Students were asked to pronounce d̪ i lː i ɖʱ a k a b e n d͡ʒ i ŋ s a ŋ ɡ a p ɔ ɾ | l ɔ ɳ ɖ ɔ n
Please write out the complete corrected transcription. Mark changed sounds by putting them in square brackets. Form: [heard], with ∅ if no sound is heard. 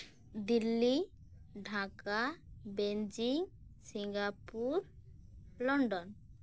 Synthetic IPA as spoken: d̪ i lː i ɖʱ a k a b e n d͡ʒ i ŋ s [i] ŋ ɡ a p [u] ɾ | l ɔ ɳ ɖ ɔ n